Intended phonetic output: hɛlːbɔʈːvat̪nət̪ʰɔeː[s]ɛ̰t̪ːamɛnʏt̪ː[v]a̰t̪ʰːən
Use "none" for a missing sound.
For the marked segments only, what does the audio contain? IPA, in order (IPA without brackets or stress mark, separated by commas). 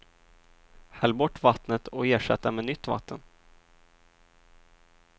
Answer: ʂ, v